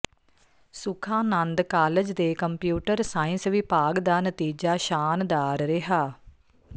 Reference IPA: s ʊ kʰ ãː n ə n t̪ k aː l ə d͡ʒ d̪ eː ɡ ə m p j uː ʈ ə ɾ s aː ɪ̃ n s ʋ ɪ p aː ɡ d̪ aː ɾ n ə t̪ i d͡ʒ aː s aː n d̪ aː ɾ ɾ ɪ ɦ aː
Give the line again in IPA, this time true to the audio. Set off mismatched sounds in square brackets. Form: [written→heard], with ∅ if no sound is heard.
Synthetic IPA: s ʊ kʰ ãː n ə n [t̪→d̪] k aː l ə d͡ʒ d̪ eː [ɡ→k] ə m p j uː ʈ ə ɾ s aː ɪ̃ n s ʋ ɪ p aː ɡ d̪ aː [ɾ→∅] n ə t̪ [i→iː] d͡ʒ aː [s→ʃ] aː n d̪ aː ɾ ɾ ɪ ɦ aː